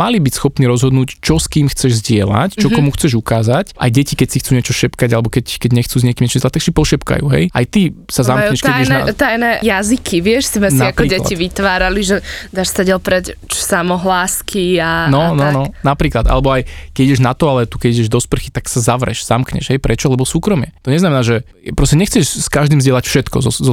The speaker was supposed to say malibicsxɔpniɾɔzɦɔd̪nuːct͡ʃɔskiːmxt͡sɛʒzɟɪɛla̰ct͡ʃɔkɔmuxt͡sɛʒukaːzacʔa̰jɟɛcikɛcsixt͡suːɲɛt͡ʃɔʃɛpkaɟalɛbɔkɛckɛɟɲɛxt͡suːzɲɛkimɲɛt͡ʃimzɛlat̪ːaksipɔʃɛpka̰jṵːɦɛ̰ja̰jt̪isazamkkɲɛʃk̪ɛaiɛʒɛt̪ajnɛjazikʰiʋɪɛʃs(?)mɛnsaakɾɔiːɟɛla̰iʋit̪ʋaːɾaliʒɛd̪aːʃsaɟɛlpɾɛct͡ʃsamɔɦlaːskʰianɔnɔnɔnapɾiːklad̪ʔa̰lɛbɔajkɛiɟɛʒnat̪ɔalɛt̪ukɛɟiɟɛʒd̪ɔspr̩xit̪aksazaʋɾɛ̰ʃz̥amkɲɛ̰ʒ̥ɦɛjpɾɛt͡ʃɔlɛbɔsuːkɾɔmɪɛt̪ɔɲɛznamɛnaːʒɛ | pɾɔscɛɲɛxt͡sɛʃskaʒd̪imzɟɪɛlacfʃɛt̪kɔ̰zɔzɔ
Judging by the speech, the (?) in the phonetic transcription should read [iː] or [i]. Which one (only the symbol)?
i